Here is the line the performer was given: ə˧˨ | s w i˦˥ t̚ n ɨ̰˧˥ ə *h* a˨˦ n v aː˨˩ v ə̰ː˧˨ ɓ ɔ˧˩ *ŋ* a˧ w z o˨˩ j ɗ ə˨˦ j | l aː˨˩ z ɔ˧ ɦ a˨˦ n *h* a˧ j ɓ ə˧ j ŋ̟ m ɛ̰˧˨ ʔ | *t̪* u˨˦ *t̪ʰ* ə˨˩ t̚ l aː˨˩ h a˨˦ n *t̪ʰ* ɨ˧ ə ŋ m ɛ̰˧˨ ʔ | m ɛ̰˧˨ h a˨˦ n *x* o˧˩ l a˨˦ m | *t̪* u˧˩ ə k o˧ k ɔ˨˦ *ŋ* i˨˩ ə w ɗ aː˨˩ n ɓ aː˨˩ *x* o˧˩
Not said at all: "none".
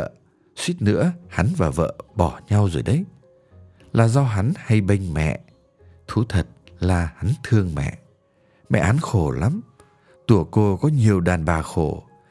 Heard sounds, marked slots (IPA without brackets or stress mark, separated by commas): h, ɲ, h, t̪ʰ, t̪ʰ, t̪ʰ, x, t̪, ɲ, x